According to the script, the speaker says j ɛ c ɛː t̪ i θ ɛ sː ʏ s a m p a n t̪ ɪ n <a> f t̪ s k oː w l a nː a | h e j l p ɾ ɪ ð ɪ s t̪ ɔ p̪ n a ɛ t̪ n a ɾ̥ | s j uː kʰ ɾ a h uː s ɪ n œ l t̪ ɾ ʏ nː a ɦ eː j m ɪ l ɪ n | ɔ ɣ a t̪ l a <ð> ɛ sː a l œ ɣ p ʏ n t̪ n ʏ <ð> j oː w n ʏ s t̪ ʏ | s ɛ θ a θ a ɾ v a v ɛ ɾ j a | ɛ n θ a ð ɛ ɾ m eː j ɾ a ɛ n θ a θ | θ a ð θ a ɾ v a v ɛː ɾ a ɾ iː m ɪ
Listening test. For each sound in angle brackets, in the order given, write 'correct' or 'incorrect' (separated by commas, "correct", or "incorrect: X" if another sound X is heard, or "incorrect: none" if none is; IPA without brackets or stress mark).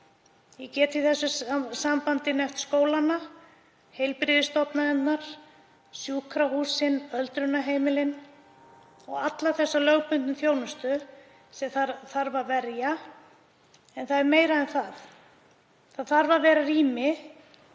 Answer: incorrect: ɛ, incorrect: θ, incorrect: θ